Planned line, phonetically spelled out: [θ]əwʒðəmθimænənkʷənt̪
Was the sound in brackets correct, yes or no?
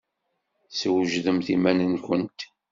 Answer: no